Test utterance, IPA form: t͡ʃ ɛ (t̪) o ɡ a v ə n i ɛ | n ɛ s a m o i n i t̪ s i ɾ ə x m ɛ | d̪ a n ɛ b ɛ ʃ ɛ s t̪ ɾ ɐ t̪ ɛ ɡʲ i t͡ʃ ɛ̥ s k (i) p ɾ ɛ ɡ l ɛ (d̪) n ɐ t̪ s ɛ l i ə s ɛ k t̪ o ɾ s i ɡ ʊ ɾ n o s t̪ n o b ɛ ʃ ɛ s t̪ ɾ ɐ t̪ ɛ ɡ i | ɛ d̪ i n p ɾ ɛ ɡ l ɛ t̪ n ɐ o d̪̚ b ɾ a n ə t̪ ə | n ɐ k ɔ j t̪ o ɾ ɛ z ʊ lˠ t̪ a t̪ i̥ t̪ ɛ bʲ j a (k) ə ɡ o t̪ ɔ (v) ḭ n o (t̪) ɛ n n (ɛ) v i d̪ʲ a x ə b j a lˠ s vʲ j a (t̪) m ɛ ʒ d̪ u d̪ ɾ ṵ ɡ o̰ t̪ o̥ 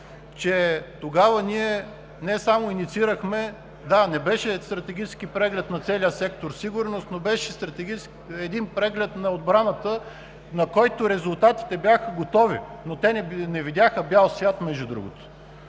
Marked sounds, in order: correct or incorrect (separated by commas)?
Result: correct, correct, incorrect, incorrect, correct, correct, correct, correct